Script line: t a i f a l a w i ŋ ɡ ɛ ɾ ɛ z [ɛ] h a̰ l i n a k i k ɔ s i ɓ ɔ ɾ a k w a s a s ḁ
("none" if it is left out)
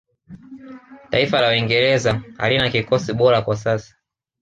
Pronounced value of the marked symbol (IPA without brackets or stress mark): a